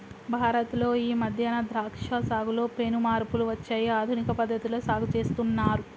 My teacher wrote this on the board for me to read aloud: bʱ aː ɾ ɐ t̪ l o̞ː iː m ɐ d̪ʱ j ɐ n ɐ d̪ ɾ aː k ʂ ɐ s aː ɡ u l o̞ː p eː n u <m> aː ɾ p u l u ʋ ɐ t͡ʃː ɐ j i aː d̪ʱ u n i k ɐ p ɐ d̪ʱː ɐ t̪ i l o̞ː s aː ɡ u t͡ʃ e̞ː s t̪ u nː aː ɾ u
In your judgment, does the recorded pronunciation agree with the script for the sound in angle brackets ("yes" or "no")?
yes